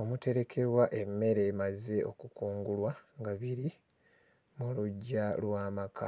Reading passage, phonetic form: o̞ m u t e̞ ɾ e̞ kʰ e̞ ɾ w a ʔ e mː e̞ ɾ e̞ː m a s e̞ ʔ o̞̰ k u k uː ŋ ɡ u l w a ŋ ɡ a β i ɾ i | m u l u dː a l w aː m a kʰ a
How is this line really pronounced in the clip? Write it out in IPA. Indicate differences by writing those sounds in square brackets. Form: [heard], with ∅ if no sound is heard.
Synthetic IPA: o̞ m u t e̞ ɾ e̞ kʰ e̞ ɾ w a ʔ e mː e̞ ɾ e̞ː m a [z] e̞ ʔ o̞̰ k u k uː ŋ ɡ u l w a ŋ ɡ a β i ɾ i | m u l u [ɟː] a l w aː m a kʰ a